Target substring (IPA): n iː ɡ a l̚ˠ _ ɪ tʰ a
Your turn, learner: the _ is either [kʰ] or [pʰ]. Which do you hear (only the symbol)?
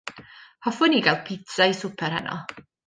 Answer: pʰ